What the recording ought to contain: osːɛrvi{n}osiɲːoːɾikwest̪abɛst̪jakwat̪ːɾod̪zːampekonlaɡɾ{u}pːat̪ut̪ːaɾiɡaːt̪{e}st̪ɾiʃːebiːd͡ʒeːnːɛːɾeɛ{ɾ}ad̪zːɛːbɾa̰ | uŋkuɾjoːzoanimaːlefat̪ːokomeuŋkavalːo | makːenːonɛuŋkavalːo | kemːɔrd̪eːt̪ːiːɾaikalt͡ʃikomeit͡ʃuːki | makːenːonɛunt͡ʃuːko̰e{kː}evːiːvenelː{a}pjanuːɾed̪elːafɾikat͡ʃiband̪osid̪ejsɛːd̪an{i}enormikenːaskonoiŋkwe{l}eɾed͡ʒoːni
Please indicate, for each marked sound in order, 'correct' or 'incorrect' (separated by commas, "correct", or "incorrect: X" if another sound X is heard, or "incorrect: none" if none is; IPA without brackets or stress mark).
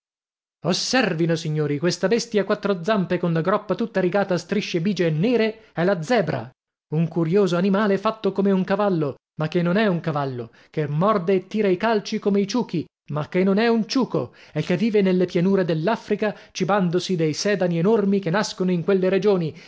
correct, incorrect: ɔ, incorrect: a, incorrect: l, correct, incorrect: e, correct, incorrect: lː